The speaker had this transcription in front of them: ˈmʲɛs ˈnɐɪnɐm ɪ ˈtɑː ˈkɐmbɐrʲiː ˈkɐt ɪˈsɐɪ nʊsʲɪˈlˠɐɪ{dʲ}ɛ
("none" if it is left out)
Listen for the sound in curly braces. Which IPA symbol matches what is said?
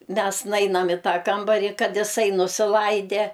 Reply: dʲ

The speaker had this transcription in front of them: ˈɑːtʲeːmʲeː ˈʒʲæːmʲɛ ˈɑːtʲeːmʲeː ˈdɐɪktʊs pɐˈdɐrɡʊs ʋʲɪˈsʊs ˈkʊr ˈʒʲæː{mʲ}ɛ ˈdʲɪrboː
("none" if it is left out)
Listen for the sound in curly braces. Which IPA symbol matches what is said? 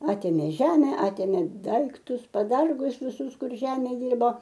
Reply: mʲ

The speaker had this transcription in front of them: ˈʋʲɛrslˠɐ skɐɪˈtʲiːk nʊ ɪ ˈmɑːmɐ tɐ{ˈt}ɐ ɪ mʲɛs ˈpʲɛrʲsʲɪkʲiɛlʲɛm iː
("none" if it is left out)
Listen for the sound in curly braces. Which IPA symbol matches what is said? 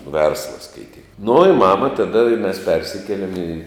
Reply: d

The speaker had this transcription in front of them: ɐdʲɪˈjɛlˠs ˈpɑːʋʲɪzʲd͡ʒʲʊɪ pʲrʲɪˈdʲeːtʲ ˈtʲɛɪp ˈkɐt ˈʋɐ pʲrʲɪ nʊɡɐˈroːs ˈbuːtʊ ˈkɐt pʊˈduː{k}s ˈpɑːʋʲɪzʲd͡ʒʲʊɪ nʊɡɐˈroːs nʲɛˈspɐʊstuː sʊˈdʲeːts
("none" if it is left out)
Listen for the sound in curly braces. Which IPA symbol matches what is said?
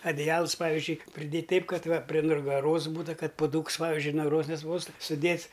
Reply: k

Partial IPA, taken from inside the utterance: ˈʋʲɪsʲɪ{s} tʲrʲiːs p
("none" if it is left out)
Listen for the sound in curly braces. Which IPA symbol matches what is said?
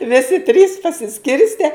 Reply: none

